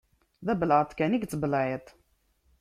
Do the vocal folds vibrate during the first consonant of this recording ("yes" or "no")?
yes